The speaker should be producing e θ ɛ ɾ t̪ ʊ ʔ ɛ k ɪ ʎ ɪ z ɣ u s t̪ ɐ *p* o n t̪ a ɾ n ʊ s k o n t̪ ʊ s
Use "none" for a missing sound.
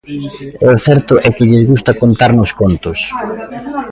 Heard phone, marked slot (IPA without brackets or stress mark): k